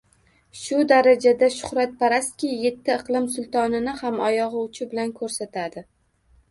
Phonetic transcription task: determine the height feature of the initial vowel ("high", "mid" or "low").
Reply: high